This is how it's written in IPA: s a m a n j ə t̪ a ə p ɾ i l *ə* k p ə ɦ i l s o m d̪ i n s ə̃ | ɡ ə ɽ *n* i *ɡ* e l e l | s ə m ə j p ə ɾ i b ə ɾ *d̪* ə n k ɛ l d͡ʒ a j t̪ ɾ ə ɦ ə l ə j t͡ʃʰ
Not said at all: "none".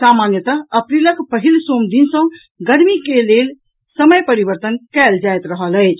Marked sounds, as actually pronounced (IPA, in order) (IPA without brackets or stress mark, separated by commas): ə, m, k, t̪